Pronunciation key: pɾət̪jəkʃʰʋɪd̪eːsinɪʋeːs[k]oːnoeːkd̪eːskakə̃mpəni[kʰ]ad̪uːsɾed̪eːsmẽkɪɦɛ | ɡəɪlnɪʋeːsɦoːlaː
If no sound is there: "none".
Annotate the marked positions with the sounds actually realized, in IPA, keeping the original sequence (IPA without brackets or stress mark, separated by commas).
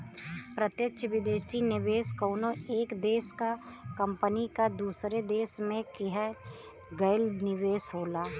k, k